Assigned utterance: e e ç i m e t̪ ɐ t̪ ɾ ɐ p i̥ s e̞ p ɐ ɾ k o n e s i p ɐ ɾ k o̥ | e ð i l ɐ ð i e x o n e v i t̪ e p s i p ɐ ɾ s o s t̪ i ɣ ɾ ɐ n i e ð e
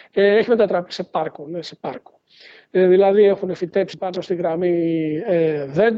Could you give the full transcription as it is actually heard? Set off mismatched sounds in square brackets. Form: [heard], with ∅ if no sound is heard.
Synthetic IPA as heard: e e ç i m e t̪ ɐ t̪ ɾ ɐ p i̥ s e̞ p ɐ ɾ k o n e s [e] p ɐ ɾ k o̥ | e ð i l ɐ ð i e x [u] n e [f] i t̪ e p s i p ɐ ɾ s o s t̪ i ɣ ɾ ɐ [m] i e ð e